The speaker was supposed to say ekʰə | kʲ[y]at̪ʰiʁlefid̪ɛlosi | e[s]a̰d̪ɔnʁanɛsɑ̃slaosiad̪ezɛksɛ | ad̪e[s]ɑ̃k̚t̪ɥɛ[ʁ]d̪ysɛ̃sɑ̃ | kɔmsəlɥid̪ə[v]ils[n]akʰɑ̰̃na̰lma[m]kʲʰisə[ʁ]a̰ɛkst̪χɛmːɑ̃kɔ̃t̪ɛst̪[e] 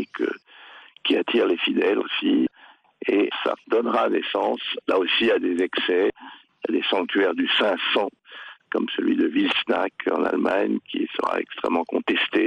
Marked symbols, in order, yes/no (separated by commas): no, yes, yes, yes, yes, yes, no, yes, yes